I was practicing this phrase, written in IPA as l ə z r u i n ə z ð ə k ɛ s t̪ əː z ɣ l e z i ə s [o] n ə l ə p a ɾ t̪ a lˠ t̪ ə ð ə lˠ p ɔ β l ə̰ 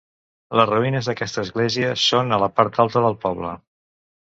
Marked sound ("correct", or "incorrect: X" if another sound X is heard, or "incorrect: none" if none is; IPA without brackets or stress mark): correct